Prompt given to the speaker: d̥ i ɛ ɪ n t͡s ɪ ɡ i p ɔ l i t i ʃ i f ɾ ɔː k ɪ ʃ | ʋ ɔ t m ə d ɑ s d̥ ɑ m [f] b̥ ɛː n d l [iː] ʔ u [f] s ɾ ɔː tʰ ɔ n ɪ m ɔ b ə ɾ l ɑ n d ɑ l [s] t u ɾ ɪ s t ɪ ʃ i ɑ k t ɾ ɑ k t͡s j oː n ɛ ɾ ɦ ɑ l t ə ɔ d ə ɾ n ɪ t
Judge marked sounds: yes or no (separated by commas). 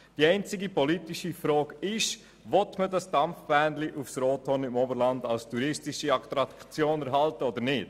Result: yes, no, yes, yes